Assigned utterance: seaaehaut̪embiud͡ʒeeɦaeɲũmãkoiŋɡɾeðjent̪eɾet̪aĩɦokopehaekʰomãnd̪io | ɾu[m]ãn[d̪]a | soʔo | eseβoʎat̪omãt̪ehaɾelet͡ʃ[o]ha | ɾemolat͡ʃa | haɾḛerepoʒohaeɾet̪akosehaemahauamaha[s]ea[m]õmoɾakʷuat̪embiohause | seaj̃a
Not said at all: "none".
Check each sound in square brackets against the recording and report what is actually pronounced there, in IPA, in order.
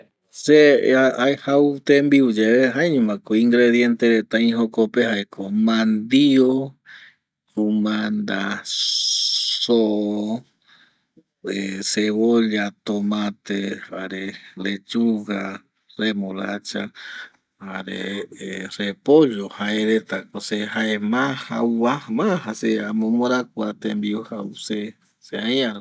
m, d̪, u, s, m

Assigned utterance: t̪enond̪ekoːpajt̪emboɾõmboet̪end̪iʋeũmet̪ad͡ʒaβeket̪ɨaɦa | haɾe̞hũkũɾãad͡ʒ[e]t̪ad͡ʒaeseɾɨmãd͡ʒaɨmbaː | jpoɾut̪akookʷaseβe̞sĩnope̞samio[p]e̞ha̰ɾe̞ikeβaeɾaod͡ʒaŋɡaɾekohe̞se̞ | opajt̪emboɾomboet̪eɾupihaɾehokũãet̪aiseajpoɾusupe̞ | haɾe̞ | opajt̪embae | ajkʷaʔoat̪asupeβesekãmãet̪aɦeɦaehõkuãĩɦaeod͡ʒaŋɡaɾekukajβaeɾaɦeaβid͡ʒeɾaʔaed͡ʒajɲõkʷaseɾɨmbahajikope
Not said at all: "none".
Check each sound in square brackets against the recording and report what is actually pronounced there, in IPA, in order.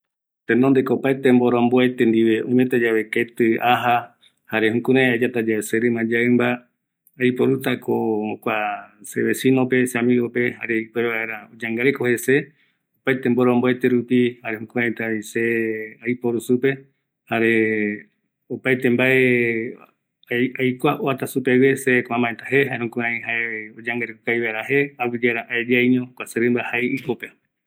a, p

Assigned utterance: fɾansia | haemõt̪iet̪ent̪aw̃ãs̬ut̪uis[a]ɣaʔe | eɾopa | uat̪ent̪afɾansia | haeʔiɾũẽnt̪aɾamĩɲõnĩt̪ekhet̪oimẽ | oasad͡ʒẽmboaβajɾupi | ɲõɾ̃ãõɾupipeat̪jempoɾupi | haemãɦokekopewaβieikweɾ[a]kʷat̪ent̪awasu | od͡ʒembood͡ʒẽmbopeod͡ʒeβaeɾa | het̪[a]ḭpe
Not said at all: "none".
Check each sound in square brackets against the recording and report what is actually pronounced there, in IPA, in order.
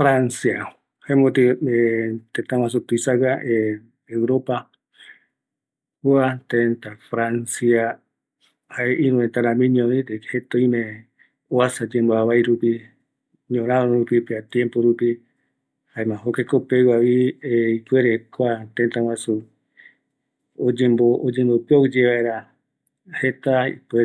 a, e, a

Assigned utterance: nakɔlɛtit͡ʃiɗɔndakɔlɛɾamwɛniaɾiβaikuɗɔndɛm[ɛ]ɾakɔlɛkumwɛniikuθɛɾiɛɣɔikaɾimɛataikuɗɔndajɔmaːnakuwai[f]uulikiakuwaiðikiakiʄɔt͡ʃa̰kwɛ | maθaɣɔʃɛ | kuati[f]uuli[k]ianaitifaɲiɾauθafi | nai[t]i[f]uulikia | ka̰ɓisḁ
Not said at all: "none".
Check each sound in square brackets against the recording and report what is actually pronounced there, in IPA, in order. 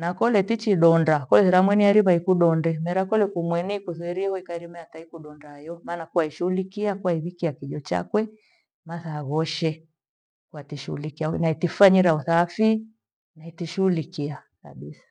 ɛ, ʃ, ʃ, k, t, ʃ

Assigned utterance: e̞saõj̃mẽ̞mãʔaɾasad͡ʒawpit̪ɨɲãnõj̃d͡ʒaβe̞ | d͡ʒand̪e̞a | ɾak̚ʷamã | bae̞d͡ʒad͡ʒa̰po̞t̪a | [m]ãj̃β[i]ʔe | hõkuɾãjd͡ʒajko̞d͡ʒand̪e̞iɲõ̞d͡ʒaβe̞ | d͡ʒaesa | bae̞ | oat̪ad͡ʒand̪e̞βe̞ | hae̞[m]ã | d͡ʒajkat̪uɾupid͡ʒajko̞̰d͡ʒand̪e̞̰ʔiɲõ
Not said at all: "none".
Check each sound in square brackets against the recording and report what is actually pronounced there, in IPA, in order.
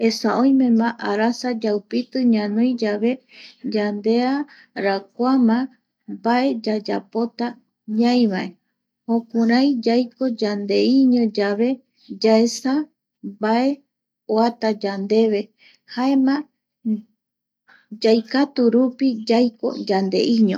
ɲ, a, m

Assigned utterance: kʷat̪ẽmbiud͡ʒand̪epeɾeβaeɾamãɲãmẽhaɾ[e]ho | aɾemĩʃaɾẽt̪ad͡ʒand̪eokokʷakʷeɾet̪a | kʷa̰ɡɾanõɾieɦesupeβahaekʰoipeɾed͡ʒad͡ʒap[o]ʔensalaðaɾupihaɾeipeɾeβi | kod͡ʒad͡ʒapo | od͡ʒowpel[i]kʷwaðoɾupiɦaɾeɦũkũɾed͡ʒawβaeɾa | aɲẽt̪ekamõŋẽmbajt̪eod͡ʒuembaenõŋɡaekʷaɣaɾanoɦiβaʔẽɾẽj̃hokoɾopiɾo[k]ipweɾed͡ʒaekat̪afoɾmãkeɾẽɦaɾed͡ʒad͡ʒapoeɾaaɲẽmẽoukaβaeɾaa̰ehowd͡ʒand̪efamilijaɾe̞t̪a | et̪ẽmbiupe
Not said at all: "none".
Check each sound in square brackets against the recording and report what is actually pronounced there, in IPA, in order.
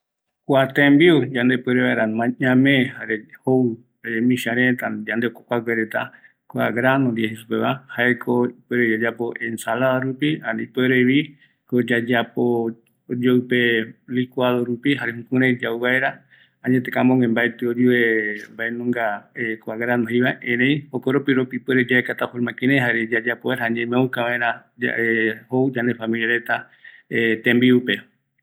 e, o, i, p

